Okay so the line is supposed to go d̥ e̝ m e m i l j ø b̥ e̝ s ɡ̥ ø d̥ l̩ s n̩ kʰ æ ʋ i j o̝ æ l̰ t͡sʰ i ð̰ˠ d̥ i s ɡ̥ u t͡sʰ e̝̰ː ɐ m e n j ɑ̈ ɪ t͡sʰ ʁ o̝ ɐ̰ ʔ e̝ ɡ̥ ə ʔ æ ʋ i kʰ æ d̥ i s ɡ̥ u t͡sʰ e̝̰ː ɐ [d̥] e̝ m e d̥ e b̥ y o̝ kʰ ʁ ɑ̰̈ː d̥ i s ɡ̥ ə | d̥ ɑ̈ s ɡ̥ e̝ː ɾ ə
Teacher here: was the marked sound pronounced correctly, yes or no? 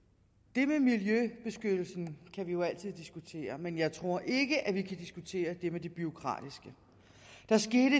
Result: yes